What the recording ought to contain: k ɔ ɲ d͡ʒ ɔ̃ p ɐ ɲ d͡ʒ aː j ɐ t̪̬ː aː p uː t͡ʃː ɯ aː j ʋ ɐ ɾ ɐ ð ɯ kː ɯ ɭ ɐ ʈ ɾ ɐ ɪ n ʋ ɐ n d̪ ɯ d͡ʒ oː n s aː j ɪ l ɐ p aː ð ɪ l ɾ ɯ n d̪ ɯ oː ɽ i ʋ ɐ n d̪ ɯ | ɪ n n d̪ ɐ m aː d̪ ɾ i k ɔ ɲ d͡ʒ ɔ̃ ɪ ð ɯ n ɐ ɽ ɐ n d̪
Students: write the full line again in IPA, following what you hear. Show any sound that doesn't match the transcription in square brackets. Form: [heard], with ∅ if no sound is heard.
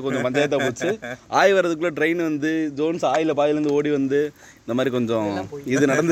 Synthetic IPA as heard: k ɔ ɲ d͡ʒ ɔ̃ p ɐ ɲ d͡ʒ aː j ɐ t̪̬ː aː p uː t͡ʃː ɯ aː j ʋ ɐ ɾ ɐ ð ɯ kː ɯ ɭ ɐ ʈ ɾ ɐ ɪ n ʋ ɐ n d̪ ɯ d͡ʒ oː n s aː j ɪ l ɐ p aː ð ɪ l ɾ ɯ n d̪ ɯ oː ɽ i ʋ ɐ n d̪ ɯ | ɪ n n d̪ ɐ m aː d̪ ɾ i k ɔ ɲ d͡ʒ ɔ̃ ɪ ð ɯ n ɐ ɽ ɐ n d̪